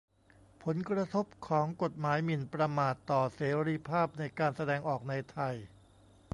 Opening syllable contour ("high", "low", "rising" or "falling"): rising